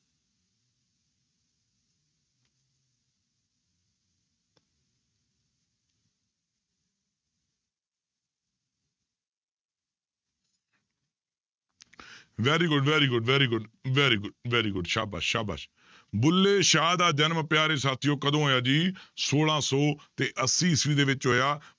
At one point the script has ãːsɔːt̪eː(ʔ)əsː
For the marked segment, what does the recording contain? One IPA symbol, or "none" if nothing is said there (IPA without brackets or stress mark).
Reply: ʔ